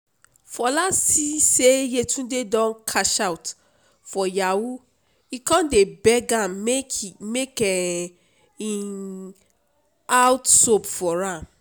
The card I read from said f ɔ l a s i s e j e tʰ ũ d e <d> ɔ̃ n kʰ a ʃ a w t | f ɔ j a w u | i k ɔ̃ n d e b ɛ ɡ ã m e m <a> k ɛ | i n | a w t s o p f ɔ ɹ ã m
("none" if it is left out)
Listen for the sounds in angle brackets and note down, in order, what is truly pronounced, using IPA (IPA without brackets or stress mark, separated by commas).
d, e